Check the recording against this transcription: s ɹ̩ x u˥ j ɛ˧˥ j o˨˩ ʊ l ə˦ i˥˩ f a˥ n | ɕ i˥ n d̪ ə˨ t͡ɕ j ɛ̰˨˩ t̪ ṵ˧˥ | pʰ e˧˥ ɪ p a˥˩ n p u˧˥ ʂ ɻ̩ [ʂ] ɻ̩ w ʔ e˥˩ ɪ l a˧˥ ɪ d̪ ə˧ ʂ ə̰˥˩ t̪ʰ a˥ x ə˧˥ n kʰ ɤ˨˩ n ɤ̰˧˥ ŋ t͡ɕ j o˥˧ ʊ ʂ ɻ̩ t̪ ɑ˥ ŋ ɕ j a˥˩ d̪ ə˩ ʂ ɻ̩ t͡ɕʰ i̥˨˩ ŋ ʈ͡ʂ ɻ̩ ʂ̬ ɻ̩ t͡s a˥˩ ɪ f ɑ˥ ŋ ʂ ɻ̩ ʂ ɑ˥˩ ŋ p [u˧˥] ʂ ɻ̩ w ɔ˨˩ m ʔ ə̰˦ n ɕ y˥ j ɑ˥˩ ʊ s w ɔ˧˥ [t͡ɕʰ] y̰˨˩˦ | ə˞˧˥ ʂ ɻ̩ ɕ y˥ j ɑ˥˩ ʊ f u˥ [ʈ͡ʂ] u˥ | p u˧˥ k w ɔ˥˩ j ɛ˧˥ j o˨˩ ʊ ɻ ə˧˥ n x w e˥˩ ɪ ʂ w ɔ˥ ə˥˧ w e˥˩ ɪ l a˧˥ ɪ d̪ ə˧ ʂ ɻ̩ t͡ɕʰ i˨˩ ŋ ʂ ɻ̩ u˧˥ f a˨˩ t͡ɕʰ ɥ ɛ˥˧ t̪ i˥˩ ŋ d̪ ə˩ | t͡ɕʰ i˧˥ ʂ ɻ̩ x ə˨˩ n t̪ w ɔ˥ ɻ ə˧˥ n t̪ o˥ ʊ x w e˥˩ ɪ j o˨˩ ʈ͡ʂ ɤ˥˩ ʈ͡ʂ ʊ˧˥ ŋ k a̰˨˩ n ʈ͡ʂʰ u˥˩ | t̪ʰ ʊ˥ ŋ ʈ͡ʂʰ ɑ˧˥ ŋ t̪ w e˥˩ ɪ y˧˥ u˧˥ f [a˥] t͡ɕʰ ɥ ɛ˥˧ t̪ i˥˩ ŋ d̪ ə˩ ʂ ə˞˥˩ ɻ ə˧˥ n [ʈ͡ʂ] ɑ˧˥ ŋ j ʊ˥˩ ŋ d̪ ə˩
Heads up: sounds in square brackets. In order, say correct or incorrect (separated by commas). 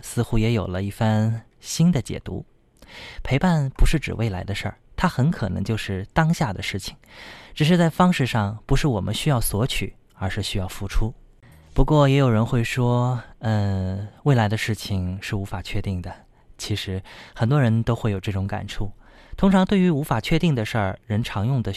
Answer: incorrect, correct, correct, incorrect, incorrect, incorrect